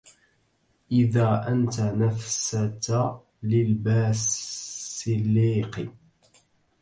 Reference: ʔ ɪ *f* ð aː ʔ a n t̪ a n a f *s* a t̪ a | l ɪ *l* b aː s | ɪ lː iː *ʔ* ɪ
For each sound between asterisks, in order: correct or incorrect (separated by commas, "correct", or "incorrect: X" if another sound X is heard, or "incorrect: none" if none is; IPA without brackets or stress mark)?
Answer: incorrect: none, correct, correct, incorrect: q